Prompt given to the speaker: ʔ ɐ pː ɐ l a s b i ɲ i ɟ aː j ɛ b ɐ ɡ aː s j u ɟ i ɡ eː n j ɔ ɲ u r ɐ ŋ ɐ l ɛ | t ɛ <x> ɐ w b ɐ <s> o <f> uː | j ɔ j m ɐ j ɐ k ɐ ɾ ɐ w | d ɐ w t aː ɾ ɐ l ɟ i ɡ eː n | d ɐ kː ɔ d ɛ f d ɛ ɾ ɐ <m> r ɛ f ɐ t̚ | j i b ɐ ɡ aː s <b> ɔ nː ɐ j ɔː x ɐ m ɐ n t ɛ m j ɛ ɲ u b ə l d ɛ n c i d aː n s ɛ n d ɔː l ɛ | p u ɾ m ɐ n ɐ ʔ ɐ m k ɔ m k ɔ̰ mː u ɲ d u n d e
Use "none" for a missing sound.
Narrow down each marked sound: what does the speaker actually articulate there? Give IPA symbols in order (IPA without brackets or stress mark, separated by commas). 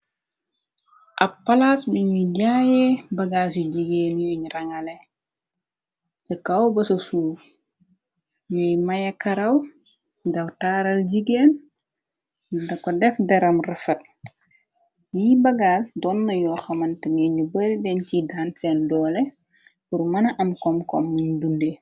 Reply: k, s, s, m, d